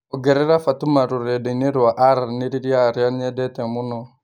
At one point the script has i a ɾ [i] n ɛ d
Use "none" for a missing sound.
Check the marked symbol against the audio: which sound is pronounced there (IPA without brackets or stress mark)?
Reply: a